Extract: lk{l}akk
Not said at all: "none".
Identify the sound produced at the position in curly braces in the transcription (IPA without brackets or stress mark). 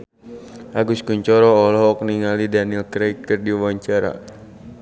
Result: ɾ